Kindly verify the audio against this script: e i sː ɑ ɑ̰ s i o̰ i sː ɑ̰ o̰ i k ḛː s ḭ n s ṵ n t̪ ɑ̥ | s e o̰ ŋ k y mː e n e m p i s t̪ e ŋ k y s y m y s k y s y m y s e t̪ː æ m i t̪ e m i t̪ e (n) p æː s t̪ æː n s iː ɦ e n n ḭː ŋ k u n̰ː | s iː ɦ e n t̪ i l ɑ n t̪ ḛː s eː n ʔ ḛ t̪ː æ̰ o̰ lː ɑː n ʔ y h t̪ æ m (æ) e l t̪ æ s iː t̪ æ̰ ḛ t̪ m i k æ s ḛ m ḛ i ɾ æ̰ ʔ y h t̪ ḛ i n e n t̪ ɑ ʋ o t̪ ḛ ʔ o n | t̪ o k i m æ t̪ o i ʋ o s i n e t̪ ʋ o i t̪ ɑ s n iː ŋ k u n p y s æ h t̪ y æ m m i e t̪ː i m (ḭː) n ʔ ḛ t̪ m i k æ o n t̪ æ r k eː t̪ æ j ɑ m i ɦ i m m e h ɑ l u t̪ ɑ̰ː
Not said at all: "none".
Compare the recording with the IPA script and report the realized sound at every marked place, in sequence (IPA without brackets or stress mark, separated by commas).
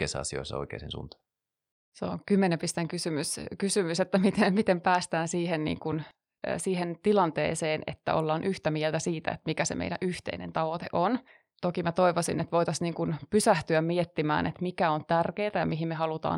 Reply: m, i, æ̰ː